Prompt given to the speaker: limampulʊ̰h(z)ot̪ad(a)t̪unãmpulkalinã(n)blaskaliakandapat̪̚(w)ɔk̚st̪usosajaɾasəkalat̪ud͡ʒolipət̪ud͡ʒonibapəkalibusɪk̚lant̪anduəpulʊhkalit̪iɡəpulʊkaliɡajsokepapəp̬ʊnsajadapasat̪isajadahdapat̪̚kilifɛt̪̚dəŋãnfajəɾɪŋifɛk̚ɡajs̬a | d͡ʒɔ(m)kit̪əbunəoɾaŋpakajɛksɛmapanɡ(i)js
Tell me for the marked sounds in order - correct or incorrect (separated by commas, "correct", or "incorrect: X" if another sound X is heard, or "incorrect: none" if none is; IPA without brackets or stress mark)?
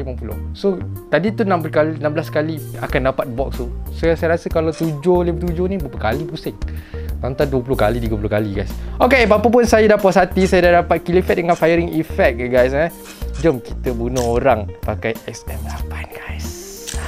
incorrect: s, incorrect: i, incorrect: m, incorrect: b, correct, incorrect: a